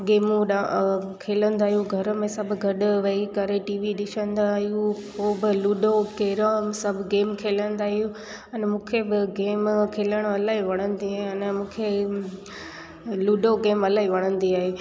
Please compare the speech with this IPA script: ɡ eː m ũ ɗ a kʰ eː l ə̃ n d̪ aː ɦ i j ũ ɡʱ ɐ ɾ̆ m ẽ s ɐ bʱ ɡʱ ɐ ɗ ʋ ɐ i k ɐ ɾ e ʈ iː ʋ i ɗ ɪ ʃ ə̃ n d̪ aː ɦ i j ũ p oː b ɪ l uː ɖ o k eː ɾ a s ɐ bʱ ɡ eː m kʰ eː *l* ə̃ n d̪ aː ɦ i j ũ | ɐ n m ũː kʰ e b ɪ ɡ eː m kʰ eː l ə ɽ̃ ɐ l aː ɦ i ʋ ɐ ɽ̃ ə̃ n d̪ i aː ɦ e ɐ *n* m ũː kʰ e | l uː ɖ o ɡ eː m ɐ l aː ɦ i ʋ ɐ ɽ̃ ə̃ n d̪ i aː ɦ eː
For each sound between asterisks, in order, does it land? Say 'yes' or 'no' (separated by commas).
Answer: yes, yes